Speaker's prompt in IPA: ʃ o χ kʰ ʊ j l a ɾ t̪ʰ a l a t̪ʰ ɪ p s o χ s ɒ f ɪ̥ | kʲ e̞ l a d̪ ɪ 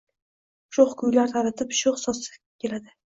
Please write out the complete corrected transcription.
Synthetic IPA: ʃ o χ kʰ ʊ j l a ɾ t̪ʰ a ɾ a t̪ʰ ɪ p ʃ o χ s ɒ s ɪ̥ | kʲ e̞ l a d̪ ɪ